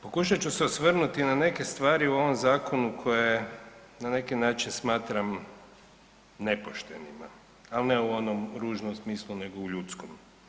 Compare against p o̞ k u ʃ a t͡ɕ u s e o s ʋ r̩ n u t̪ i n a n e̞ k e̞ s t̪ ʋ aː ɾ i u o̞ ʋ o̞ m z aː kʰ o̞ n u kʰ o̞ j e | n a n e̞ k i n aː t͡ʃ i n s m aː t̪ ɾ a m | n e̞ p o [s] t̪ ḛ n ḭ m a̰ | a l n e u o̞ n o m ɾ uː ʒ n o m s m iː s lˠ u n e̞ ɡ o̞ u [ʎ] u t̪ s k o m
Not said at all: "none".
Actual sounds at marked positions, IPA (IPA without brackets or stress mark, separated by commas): ʃ, ʎ